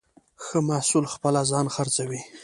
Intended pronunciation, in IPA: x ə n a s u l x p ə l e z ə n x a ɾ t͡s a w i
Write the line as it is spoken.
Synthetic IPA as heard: x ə m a s u l x p ə l a z ɑ n x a ɾ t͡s a w i